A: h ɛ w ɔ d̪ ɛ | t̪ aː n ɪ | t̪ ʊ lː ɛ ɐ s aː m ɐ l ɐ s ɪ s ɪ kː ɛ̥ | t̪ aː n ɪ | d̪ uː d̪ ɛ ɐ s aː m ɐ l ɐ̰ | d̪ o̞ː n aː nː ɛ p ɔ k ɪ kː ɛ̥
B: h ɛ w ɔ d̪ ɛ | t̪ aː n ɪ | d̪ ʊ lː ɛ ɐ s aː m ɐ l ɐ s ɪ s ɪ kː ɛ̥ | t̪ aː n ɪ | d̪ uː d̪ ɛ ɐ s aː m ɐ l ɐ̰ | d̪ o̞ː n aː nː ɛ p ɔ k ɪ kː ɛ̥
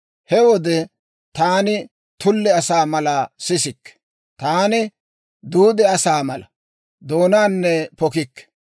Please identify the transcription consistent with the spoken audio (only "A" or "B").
A